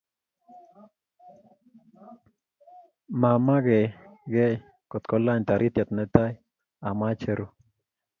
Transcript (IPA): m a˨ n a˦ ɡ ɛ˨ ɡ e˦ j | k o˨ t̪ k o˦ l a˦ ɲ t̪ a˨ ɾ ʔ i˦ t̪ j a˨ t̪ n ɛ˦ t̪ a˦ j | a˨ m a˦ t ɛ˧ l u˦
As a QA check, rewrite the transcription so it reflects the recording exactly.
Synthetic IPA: m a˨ m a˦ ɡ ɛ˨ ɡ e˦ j | k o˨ t̪ k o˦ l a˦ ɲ t̪ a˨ ɾ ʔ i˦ t̪ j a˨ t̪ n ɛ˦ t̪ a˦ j | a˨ m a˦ t͡ʃ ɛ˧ ɾ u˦